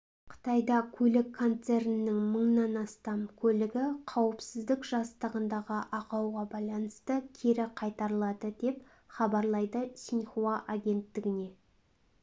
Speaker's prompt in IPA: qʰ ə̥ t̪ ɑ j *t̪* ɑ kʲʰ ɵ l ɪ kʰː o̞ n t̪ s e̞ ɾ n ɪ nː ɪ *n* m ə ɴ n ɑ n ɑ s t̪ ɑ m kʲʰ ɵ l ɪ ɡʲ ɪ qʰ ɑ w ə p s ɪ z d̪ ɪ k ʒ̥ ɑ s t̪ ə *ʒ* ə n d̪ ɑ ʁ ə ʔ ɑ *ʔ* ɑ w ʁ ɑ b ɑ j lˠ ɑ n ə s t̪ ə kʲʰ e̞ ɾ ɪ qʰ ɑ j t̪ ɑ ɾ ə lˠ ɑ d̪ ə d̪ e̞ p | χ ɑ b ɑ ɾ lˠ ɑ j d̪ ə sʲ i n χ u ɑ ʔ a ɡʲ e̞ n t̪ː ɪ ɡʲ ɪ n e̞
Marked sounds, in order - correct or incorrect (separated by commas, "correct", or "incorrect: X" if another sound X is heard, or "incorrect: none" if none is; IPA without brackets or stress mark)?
incorrect: d̪, incorrect: ŋ, incorrect: ʁ, incorrect: q